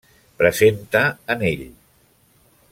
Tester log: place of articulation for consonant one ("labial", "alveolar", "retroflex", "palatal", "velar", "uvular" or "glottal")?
labial